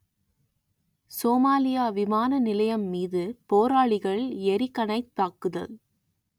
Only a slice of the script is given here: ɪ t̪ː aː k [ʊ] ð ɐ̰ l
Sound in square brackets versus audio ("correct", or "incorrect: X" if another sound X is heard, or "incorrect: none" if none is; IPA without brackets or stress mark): incorrect: ɯ